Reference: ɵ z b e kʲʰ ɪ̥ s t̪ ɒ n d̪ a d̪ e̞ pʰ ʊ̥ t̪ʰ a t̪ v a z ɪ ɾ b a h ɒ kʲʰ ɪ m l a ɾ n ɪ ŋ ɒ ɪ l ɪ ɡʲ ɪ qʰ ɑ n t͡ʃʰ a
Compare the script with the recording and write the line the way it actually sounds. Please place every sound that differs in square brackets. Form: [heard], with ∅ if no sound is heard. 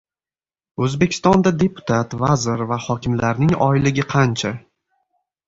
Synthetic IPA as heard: ɵ z b e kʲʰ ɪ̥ s t̪ ɒ n d̪ a d̪ e̞ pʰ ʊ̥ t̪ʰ a t̪ v a z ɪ ɾ [v] a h ɒ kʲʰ ɪ m l a ɾ n ɪ ŋ ɒ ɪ l ɪ ɡʲ ɪ qʰ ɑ n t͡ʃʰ a